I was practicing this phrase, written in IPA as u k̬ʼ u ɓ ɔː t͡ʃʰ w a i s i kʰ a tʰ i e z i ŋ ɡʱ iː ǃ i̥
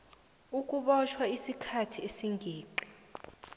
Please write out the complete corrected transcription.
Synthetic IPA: u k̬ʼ u ɓ ɔ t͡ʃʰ w a i s i kʰ a tʰ i e s i ŋ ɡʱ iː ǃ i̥